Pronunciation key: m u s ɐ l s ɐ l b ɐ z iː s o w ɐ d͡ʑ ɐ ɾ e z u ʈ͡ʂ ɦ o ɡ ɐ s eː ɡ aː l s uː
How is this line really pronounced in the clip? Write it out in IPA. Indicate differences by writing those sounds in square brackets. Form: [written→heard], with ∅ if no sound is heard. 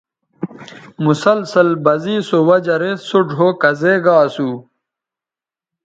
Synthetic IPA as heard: m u s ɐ l s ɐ l b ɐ z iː s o w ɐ d͡ʑ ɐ ɾ e [z→s] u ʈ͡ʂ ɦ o [ɡ→k] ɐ [s→z] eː ɡ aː [l→∅] s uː

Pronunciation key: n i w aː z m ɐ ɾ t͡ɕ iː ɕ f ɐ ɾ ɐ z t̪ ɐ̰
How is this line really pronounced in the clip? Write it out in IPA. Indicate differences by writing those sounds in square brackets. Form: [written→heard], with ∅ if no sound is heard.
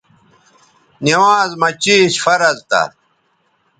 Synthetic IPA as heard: n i w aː z m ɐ [ɾ→∅] t͡ɕ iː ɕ f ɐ ɾ ɐ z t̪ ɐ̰

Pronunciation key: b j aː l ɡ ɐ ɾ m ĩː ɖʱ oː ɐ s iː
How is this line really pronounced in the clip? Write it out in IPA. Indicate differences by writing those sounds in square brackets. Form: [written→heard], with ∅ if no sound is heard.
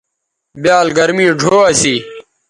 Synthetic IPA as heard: b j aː l ɡ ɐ ɾ m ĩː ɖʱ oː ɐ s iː

